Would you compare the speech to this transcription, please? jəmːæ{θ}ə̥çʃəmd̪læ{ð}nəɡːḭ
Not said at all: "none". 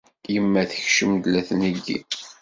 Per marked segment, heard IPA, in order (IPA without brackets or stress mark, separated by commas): θ, θ